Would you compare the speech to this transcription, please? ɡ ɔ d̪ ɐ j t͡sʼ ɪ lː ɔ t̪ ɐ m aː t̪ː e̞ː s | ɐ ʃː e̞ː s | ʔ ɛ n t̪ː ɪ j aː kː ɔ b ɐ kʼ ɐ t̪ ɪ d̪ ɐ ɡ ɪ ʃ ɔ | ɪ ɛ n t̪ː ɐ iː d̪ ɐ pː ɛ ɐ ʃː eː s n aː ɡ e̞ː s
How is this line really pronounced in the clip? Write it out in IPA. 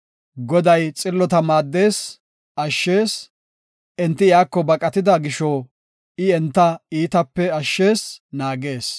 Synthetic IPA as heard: ɡ ɔ d̪ ɐ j t͡sʼ ɪ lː ɔ t̪ ɐ m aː d̪ː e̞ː s | ɐ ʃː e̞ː s | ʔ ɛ n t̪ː ɪ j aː kː ɔ b ɐ kʼ ɐ t̪ ɪ d̪ ɐ ɡ ɪ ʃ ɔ | ɪ ɛ n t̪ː ɐ iː t̪ ɐ pː ɛ ɐ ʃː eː s n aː ɡ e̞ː s